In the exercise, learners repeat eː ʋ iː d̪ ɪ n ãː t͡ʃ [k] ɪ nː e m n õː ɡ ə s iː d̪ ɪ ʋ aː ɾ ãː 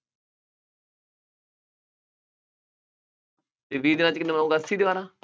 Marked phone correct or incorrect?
correct